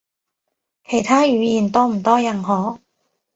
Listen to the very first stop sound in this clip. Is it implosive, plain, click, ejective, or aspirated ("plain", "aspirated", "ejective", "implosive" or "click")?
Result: aspirated